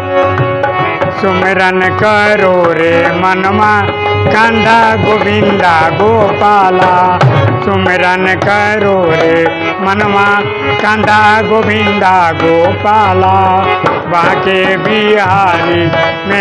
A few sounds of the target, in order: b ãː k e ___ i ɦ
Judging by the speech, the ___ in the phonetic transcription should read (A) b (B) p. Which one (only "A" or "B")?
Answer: A